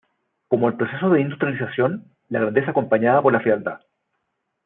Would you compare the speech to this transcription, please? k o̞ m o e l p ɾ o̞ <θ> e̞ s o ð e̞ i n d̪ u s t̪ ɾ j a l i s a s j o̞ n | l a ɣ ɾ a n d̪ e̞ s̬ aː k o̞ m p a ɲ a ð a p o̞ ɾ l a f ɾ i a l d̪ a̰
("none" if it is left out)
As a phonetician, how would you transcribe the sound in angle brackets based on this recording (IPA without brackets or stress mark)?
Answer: s